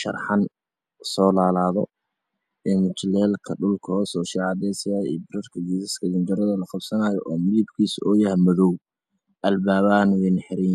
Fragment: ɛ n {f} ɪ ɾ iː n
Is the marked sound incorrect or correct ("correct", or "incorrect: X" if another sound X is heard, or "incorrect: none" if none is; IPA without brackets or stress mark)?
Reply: incorrect: ħ